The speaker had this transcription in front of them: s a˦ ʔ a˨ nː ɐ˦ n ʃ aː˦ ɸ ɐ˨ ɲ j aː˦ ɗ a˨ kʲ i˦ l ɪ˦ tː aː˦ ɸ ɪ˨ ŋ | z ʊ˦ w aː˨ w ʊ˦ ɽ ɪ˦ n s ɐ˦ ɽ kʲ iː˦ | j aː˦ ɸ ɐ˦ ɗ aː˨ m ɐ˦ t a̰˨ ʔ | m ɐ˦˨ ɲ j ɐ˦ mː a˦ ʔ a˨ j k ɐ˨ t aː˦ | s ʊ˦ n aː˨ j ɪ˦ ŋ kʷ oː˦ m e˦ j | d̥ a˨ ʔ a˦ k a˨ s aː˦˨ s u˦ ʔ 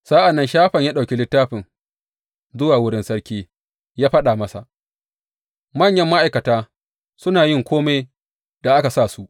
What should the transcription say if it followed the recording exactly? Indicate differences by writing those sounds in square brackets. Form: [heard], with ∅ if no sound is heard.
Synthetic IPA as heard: s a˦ ʔ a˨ nː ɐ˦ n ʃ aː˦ ɸ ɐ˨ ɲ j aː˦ ɗ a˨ kʲ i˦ l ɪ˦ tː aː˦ ɸ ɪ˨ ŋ | z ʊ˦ w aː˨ w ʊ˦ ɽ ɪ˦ n s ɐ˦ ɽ kʲ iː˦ | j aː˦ ɸ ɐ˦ ɗ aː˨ m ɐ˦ [s] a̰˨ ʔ | m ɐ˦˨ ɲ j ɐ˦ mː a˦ ʔ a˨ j k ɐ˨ t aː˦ | s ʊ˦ n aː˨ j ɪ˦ ŋ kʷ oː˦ m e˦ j | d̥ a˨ ʔ a˦ k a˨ s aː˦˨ s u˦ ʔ